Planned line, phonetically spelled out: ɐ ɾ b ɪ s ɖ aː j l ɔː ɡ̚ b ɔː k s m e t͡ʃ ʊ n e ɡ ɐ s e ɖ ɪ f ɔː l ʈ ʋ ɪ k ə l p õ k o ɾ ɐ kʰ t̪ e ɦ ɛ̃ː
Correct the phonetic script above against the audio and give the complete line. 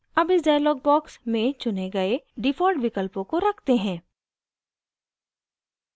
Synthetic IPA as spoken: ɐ b ɪ s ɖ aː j l ɔː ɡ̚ b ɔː k s m ẽ t͡ʃ ʊ n e ɡ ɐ e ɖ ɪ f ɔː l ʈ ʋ ɪ k ə l p õ k o ɾ ɐ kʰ t̪ e ɦ ɛ̃ː